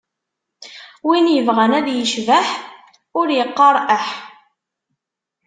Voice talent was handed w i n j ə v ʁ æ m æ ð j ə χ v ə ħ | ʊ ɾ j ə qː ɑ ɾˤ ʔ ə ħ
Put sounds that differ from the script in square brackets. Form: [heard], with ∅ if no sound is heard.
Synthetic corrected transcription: w i n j ə v ʁ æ [n] æ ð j ə [ʃ] v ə ħ | ʊ ɾ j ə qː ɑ ɾˤ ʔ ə ħ